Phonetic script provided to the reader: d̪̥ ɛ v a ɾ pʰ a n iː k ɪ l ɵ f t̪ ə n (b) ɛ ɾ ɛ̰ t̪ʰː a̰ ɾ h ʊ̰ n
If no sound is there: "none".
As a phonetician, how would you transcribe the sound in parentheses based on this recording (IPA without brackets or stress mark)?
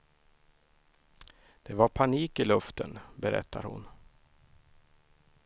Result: b